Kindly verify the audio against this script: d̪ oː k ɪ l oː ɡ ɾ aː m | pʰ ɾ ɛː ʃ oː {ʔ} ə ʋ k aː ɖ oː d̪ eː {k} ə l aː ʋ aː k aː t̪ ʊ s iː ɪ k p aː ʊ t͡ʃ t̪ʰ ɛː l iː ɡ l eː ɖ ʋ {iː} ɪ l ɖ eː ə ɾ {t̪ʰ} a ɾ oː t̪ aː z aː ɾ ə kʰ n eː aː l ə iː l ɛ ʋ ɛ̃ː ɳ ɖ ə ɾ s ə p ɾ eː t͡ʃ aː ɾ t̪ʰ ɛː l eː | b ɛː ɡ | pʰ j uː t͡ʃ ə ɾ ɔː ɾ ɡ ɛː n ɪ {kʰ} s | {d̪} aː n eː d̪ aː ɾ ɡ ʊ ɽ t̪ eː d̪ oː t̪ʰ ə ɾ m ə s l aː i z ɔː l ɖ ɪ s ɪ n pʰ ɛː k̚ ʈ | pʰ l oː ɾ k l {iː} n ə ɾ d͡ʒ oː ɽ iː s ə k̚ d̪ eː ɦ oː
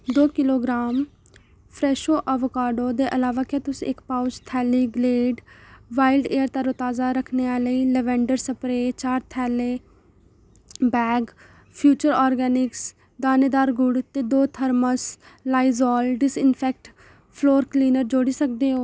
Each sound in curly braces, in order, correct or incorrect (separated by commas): correct, incorrect, incorrect, incorrect, incorrect, correct, correct